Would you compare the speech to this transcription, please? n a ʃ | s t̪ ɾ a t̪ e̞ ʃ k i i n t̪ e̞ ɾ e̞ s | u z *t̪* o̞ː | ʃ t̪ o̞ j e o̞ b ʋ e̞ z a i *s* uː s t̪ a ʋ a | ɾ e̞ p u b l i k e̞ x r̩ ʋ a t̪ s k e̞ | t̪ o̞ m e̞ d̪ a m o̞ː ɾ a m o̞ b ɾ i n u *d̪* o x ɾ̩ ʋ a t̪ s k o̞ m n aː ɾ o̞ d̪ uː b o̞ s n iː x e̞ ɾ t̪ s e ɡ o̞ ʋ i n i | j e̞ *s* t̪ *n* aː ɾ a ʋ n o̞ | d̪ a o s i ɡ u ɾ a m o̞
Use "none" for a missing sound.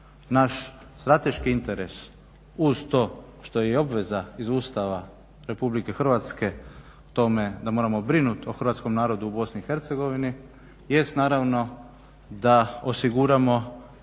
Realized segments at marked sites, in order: t̪, z, t̪, s, n

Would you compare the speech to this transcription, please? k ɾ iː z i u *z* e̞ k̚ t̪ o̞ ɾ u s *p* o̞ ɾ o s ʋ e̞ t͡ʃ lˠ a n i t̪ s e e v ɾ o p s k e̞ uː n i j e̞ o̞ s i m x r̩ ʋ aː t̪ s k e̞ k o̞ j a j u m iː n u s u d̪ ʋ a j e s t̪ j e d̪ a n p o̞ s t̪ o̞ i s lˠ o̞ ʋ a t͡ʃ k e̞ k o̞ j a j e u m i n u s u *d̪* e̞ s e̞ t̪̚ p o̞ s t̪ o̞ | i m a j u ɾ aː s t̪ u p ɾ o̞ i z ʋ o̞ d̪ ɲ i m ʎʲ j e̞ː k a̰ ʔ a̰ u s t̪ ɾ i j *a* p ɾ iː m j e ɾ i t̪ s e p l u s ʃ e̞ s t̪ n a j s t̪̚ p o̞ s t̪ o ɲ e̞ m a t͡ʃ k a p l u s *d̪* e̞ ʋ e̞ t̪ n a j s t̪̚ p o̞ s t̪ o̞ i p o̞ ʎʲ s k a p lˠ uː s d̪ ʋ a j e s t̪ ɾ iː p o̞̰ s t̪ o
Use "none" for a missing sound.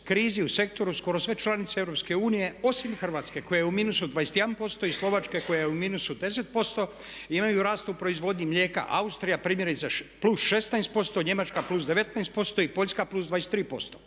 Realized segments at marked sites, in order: s, k, d̪, a, d̪

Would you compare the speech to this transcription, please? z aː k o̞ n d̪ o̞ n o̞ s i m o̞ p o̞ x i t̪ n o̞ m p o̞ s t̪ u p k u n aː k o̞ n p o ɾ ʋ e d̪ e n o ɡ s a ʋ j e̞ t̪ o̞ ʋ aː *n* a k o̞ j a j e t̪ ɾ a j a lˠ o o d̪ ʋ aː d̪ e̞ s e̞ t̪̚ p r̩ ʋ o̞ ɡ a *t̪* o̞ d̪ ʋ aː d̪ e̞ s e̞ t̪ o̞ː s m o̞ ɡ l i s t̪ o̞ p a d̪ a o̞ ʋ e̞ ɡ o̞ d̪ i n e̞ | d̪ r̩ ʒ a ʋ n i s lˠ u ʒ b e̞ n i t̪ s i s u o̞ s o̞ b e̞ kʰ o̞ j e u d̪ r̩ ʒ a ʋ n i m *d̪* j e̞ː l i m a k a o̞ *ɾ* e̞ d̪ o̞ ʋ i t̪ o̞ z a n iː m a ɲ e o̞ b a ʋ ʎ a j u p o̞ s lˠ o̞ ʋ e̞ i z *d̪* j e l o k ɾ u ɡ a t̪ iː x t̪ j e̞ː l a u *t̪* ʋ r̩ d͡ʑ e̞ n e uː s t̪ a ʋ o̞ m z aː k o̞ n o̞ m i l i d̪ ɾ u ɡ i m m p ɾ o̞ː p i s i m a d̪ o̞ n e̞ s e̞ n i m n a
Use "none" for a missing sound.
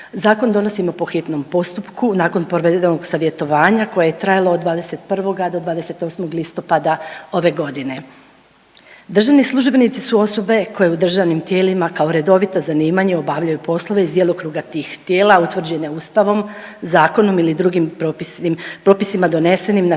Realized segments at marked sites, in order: ɲ, d̪, t̪, ɾ, d̪, t̪

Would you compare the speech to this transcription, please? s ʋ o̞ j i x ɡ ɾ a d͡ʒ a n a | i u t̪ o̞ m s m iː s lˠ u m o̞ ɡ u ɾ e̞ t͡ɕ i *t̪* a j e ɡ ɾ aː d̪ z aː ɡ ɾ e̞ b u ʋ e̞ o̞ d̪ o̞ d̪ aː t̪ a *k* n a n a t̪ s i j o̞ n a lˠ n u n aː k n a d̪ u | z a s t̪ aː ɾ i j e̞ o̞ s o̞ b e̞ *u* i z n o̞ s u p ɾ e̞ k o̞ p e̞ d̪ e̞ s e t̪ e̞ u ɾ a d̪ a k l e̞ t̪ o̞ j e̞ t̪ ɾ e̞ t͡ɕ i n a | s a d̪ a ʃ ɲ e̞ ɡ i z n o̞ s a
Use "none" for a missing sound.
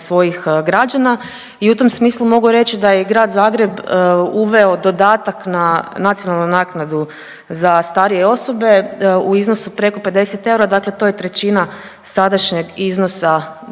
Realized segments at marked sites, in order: d̪, k, u

